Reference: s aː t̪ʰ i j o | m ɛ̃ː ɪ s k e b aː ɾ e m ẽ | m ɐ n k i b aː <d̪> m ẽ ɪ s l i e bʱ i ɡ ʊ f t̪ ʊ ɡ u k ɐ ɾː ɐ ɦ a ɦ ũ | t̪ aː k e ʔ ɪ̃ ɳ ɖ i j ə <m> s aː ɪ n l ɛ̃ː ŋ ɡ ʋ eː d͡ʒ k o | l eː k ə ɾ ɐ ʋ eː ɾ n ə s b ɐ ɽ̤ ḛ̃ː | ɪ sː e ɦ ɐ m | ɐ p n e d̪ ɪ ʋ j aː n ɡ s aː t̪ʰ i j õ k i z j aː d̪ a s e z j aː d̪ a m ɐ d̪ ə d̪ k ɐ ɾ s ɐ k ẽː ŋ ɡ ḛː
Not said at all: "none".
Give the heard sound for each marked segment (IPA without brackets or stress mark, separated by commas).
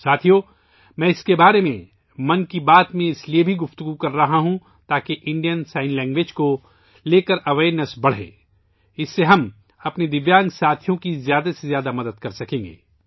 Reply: t̪, n